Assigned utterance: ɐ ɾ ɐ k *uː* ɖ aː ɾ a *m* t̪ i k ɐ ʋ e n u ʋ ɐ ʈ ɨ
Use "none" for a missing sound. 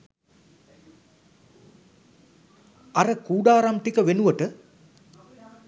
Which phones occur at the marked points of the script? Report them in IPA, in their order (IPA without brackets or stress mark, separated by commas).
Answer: uː, m